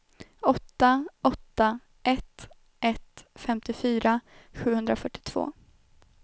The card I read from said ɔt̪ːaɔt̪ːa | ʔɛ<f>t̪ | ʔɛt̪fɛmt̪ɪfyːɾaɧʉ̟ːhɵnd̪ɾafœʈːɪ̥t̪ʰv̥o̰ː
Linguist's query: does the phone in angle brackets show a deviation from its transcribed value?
yes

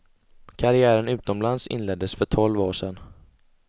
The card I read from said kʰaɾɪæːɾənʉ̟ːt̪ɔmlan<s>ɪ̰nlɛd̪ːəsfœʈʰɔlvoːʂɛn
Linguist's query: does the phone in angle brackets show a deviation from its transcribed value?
no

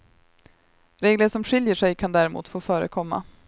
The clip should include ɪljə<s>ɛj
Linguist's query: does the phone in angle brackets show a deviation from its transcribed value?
yes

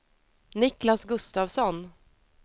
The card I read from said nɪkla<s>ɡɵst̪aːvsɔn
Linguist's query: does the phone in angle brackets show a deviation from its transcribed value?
no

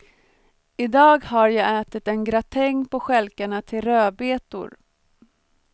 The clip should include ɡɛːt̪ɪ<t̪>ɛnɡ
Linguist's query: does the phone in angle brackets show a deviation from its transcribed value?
no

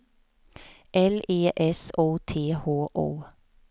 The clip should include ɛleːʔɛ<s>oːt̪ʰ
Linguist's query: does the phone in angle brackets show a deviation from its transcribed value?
no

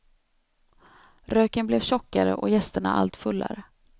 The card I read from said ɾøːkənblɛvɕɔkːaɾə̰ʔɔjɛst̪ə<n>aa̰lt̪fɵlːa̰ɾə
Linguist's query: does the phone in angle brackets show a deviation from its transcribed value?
yes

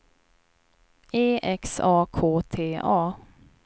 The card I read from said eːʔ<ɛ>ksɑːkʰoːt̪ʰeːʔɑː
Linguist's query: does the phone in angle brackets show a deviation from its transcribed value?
no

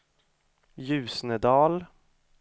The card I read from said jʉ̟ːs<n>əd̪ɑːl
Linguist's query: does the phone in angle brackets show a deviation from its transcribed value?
no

